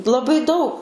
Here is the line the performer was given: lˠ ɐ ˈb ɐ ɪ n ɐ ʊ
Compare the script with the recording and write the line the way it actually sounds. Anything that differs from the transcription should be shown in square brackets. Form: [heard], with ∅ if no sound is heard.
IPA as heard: lˠ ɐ ˈb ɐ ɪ [d] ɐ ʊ